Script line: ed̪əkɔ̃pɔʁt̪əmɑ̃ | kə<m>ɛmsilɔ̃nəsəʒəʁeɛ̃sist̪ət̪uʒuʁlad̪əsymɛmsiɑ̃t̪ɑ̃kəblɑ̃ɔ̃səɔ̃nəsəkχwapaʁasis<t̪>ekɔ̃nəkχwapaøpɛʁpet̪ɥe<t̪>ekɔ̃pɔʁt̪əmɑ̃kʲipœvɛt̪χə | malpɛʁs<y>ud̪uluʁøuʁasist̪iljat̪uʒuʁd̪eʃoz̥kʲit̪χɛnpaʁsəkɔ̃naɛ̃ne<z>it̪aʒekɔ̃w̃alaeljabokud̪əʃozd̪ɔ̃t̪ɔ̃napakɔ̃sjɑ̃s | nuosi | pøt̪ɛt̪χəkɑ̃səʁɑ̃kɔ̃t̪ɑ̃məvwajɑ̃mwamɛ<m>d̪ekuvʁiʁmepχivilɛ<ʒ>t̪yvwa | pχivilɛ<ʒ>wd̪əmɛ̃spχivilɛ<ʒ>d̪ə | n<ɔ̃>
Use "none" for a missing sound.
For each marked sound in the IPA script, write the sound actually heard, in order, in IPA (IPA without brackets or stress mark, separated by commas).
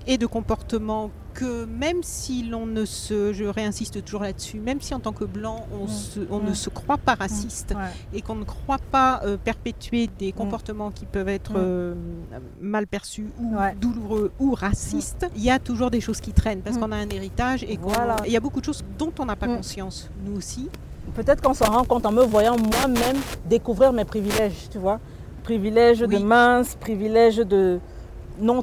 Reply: m, t̪, d̪, y, ʁ, m, ʒ, ʒ, ʒ, ɔ̃